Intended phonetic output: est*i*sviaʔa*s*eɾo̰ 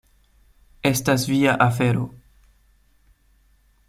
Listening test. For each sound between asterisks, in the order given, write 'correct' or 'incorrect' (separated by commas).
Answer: incorrect, incorrect